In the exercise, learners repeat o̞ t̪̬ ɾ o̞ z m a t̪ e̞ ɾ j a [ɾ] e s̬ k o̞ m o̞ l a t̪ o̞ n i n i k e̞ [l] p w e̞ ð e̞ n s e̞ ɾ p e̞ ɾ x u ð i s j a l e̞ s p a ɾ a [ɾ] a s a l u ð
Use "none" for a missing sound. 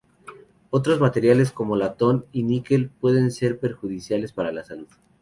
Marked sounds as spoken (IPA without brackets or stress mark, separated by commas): l, l, l